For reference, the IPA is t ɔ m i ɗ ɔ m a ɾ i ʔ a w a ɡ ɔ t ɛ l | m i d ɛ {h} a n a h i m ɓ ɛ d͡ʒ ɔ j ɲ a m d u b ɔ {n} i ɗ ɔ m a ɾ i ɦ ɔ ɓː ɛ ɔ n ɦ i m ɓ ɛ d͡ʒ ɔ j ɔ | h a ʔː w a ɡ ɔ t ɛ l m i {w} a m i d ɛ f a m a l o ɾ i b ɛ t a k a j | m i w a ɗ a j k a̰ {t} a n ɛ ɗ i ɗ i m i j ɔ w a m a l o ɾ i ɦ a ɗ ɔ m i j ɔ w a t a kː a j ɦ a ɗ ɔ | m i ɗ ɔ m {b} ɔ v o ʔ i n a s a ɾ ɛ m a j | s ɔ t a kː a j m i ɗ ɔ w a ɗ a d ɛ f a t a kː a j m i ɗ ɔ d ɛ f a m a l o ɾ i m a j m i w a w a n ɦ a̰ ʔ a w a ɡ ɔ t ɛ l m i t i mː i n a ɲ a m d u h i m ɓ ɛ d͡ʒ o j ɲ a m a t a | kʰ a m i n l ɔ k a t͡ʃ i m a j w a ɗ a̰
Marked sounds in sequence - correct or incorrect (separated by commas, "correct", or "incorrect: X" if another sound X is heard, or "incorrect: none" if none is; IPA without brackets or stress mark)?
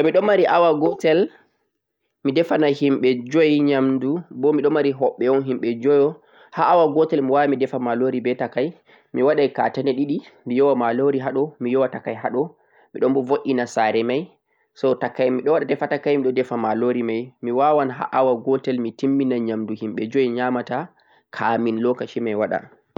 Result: incorrect: f, incorrect: m, correct, correct, correct